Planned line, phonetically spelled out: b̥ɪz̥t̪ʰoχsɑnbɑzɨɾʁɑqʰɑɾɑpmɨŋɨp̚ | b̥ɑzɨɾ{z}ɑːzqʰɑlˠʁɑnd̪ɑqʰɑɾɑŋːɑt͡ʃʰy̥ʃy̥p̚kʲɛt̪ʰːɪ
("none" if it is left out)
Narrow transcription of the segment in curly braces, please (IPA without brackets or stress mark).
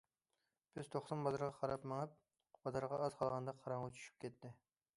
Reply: ʁ